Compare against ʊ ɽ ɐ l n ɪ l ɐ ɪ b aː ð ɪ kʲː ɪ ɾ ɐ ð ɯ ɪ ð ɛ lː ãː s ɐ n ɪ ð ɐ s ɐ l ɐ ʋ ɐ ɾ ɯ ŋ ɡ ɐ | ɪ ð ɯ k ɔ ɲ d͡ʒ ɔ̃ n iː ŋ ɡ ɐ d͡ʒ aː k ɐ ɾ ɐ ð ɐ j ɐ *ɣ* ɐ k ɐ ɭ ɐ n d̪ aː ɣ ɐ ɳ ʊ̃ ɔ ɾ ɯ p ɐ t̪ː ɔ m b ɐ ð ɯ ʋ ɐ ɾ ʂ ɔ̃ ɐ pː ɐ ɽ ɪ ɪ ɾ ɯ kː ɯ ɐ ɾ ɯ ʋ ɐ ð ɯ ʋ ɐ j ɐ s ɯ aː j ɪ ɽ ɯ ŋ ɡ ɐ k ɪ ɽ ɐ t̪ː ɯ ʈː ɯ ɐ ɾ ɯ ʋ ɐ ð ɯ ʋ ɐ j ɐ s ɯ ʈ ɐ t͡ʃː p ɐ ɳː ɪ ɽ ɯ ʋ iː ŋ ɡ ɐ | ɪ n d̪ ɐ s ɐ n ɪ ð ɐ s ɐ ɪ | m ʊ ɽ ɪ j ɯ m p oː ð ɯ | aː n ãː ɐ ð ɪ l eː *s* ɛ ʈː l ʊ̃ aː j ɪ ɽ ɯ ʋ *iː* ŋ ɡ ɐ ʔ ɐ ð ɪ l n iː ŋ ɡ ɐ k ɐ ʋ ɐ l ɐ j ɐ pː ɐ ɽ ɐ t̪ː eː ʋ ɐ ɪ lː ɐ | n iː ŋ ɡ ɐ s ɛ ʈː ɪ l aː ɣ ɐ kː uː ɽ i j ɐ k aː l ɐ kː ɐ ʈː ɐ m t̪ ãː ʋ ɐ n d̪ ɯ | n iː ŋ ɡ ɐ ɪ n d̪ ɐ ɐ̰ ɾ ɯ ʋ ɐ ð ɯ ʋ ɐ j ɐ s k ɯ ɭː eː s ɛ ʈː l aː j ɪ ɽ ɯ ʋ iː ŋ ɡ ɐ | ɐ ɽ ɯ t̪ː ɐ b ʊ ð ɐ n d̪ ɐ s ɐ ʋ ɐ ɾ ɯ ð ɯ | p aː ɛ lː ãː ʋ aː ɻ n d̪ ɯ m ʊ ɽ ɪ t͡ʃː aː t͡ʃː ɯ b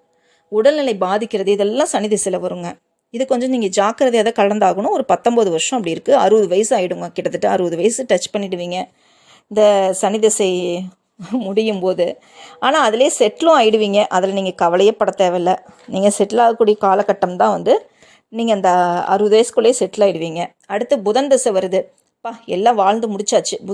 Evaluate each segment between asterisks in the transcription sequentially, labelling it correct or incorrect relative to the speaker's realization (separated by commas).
incorrect, correct, correct